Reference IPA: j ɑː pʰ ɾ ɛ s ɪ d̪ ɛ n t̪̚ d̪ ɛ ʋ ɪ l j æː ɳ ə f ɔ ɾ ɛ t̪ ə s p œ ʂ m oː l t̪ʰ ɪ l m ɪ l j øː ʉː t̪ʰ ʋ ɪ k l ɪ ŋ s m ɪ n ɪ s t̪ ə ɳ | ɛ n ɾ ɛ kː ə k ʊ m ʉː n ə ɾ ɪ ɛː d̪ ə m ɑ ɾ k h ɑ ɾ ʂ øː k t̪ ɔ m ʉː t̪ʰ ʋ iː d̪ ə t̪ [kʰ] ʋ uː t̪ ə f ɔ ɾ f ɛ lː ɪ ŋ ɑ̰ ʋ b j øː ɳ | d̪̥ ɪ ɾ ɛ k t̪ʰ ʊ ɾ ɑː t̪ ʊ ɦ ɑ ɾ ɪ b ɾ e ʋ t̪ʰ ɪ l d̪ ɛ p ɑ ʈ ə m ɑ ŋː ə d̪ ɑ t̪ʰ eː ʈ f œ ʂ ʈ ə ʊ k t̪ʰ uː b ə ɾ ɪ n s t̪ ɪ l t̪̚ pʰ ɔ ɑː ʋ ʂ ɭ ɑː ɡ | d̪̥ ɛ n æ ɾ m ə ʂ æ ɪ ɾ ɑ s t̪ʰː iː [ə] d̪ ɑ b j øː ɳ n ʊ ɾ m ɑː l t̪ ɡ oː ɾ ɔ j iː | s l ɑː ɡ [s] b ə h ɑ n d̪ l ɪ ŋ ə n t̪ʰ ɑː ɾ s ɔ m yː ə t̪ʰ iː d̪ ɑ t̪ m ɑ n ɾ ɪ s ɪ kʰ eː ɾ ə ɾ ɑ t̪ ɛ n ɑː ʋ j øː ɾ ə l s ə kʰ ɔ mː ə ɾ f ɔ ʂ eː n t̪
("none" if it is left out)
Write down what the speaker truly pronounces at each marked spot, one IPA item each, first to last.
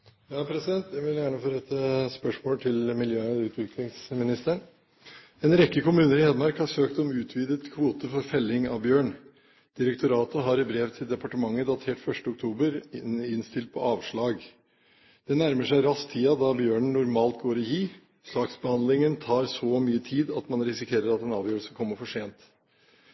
kʰ, ɑ, s

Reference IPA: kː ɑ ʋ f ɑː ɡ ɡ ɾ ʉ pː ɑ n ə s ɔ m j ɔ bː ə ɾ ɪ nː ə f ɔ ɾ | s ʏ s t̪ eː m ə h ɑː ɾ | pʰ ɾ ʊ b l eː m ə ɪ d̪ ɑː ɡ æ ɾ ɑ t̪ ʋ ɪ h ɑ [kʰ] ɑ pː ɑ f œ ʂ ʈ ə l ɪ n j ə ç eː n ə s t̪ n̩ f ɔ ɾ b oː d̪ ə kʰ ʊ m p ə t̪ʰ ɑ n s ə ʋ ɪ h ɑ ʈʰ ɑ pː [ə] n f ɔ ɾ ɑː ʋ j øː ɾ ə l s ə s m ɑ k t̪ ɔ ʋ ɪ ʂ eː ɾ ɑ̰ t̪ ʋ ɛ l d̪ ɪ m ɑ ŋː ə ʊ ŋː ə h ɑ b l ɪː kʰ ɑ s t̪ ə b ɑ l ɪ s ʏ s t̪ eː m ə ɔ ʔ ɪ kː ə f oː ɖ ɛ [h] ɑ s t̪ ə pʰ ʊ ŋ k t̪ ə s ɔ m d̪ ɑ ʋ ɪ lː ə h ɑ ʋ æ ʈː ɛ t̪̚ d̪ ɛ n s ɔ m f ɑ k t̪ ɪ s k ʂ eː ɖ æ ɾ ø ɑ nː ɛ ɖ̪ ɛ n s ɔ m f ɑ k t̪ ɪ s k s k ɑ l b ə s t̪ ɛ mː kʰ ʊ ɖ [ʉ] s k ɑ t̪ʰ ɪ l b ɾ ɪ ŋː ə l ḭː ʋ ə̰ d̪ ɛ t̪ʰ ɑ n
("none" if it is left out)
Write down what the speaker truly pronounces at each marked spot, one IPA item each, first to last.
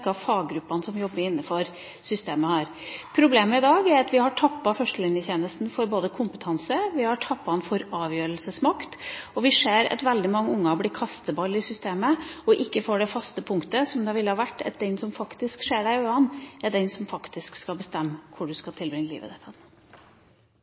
ʈʰ, ɑ, f, ʉ

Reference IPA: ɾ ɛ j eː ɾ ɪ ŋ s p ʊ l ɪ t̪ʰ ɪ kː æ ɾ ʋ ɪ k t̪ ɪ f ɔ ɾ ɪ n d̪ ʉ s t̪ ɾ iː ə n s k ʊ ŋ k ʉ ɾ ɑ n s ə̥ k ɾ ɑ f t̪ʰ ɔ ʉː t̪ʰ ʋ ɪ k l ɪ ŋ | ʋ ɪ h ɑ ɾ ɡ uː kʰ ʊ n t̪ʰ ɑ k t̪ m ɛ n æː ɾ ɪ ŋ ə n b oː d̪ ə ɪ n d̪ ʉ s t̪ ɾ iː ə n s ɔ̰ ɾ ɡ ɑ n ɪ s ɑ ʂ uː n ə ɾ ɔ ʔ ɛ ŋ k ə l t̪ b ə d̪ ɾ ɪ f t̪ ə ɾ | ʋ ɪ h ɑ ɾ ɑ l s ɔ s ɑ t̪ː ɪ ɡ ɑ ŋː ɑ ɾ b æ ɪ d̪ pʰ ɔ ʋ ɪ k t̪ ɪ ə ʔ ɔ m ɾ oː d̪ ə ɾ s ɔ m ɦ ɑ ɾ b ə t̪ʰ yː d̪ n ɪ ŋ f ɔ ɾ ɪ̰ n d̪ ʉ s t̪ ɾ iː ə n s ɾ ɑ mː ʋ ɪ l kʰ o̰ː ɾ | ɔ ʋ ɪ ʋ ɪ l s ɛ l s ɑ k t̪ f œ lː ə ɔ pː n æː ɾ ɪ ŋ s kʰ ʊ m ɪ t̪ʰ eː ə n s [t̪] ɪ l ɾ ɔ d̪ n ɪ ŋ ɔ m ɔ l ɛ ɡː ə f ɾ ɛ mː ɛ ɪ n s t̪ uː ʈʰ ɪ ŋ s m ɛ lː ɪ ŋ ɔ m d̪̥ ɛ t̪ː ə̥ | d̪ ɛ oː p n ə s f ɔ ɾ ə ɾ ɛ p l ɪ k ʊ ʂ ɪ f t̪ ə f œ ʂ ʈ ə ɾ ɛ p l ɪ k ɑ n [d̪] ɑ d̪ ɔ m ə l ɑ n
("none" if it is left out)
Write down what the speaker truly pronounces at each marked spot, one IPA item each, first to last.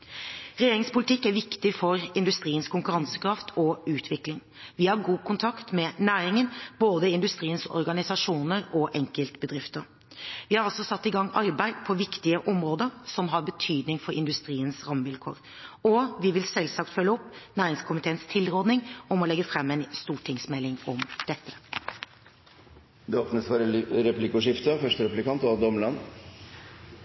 t̪ʰ, t̪

